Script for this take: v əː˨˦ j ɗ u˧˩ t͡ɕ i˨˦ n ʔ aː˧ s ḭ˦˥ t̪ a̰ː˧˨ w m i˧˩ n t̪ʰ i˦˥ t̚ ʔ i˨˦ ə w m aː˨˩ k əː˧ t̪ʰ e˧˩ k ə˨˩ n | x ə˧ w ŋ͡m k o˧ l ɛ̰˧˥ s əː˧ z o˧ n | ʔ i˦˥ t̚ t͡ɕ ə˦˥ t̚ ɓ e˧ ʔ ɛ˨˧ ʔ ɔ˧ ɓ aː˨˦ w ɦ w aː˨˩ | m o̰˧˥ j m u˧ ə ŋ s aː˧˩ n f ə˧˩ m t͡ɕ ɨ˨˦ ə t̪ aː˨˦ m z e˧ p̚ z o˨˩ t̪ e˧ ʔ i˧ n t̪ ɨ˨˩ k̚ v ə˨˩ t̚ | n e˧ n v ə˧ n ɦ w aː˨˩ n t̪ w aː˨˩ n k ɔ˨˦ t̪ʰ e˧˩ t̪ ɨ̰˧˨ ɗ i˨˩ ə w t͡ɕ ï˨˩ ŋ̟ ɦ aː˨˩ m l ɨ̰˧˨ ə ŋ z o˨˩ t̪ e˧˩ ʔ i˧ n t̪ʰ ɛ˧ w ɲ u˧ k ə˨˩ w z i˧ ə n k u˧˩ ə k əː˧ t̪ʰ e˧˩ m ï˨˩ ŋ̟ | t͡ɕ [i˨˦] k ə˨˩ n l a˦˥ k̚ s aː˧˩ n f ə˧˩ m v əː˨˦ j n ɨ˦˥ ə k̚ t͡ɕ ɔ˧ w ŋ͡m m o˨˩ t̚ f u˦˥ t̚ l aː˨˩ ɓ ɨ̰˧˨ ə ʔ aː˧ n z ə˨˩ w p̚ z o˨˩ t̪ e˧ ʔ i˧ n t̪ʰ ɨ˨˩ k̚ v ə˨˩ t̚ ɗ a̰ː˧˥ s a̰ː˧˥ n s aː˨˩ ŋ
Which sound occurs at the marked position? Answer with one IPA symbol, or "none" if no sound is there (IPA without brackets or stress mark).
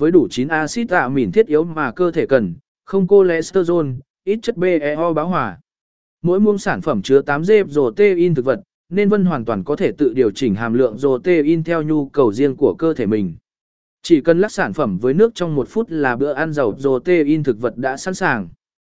i˧˩